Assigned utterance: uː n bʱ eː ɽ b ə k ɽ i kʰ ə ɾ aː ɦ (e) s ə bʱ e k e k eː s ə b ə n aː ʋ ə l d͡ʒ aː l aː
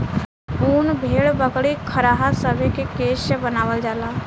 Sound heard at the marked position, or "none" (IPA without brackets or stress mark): a